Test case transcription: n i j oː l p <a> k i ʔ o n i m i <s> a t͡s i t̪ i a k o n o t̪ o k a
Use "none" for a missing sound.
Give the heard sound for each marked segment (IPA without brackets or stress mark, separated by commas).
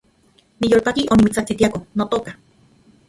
a, t͡s